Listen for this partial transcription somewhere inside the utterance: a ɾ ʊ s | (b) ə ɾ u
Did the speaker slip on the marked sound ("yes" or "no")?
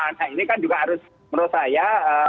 yes